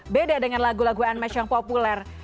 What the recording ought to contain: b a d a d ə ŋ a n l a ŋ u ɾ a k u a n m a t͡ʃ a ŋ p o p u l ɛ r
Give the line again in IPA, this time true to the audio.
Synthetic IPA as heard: b e d a d ə ŋ a n l a ɡ u l a ɡ u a n m a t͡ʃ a ŋ p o p u l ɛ r